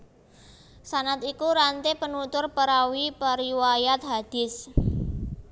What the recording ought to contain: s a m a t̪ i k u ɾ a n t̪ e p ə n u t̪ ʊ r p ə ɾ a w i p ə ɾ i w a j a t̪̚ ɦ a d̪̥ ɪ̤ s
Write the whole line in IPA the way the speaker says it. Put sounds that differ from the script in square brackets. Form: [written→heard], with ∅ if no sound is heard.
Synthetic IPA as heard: s a [m→n] a t̪ i k u ɾ a n t̪ e p ə n u t̪ ʊ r p ə ɾ a w i p ə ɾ i w a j a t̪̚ ɦ a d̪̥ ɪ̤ s